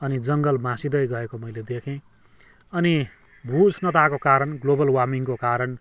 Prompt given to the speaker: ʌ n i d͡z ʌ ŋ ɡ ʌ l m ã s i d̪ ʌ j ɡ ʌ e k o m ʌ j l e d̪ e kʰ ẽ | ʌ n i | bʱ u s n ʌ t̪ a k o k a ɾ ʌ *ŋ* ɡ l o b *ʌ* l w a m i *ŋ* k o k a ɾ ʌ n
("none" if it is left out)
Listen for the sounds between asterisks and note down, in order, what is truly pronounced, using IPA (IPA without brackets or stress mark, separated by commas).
n, ʌ, ŋ